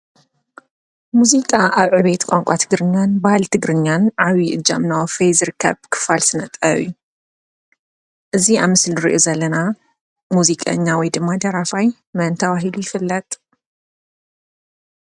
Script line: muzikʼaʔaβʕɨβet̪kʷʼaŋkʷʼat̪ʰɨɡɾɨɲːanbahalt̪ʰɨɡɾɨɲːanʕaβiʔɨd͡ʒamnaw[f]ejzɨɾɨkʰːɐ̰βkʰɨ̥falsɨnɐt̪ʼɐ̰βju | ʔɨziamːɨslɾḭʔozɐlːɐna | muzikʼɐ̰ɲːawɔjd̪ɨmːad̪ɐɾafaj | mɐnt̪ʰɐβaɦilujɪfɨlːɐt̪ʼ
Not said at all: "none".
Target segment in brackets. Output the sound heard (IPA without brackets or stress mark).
f